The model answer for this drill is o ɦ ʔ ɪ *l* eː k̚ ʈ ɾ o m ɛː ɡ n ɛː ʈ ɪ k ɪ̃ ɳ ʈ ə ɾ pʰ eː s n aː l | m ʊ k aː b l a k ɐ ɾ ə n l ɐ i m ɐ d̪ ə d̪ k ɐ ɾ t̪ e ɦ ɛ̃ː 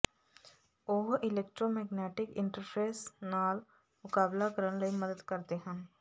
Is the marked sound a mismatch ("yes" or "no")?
no